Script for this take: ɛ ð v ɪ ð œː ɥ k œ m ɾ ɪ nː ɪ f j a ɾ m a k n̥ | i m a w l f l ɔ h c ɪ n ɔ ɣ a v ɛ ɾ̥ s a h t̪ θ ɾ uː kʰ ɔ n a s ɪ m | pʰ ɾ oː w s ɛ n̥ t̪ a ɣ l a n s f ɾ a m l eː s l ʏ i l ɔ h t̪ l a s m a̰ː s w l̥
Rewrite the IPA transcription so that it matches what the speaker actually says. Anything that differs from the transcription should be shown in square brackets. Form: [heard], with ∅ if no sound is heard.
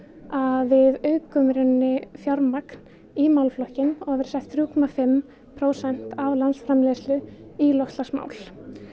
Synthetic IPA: [a] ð v ɪ ð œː ɥ k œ m ɾ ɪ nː ɪ f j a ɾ m a k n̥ | i m a w l f l ɔ h c ɪ n ɔ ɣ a v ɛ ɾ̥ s [ɛ] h t̪ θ ɾ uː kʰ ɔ [m] a [f] ɪ m | pʰ ɾ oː w s ɛ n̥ t̪ a [v] l a n s f ɾ a m l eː s l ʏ i l ɔ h t̪ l a s m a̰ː [∅] w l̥